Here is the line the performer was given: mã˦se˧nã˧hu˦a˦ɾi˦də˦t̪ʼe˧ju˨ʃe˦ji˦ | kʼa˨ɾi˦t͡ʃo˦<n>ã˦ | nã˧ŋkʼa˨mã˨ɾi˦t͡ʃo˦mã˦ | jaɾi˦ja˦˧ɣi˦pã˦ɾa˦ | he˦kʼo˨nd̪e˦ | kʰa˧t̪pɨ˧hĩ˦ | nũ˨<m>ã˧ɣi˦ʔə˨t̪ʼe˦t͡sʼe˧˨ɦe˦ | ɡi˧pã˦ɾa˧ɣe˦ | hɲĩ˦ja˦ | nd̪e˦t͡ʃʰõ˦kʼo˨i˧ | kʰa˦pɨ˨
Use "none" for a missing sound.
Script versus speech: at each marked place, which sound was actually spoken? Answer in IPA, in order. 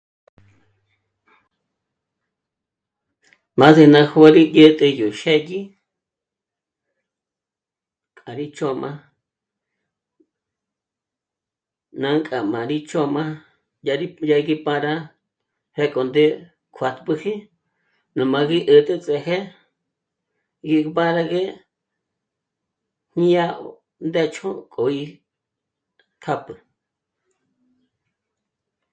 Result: m, m

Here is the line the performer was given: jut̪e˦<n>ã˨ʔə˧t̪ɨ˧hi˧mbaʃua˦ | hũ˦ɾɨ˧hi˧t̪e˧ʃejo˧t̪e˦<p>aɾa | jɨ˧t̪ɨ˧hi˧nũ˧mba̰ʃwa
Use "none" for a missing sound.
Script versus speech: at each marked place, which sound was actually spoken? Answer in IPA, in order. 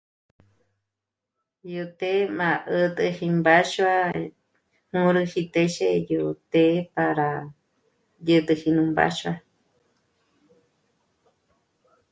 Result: m, p

